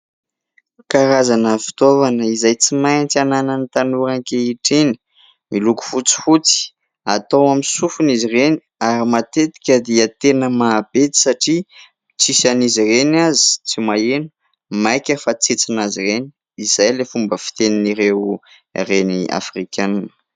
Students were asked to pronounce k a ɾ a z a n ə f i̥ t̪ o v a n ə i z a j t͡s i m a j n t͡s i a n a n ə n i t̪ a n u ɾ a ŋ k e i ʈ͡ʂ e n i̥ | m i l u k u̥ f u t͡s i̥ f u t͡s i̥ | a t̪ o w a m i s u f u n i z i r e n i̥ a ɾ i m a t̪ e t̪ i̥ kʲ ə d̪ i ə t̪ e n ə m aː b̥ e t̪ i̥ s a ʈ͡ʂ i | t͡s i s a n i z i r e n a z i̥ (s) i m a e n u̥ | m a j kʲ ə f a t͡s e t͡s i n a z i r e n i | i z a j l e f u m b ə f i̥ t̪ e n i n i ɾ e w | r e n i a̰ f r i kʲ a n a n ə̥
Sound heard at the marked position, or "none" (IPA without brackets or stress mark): t͡s